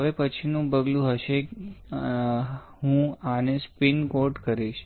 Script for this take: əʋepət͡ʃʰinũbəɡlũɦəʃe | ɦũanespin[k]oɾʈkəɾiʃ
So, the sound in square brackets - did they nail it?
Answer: yes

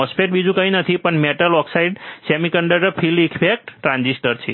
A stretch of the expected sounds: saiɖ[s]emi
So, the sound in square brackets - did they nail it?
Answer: yes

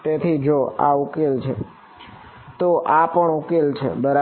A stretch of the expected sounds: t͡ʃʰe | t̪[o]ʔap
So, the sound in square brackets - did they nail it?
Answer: yes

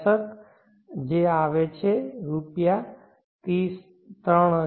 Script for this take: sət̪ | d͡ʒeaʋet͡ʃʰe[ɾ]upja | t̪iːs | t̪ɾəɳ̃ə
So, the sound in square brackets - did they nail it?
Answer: yes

